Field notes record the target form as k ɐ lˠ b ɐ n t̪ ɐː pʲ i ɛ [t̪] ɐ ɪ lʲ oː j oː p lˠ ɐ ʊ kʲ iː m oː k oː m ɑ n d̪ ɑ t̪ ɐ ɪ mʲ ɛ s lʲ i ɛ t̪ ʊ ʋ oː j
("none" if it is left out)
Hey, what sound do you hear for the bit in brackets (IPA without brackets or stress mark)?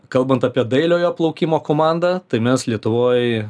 d̪